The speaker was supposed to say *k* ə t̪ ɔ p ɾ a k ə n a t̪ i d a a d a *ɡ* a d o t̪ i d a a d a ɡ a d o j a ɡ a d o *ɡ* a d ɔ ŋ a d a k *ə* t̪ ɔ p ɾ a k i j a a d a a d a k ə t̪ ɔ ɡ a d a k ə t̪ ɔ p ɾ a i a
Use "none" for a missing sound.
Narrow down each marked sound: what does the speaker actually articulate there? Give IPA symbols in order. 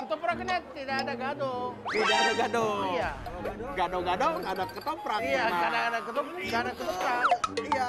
k, ɡ, ɡ, ə

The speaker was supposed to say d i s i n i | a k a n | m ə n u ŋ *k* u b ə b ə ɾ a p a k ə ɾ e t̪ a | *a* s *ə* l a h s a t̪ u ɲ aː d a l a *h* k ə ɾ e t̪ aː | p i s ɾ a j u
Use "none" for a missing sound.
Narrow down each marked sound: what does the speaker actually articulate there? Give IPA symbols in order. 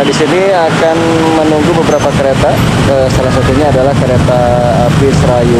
ɡ, ə, a, h

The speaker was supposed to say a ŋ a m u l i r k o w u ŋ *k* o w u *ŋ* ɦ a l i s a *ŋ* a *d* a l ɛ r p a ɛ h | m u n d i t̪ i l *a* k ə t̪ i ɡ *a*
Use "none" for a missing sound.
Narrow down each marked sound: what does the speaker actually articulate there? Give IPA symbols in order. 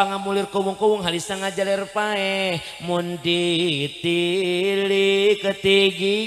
k, ŋ, ŋ, d͡ʒ, i, i

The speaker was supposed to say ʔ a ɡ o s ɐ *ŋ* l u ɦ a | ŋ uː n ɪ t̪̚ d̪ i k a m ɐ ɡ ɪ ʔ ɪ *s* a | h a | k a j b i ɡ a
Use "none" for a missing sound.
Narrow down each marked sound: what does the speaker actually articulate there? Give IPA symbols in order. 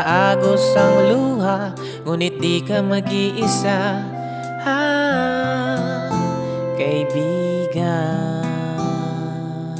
ŋ, s

